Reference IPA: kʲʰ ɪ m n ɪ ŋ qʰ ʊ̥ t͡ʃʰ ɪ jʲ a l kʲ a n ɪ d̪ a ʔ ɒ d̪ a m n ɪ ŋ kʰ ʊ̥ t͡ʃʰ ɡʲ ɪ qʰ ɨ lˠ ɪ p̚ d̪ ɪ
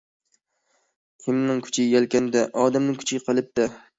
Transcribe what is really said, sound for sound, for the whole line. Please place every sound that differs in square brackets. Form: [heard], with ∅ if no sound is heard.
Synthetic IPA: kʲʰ ɪ m n ɪ ŋ [kʰ] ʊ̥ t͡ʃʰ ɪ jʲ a l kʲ a n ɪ d̪ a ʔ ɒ d̪ a m n ɪ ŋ kʰ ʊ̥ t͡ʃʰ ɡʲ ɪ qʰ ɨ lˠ ɪ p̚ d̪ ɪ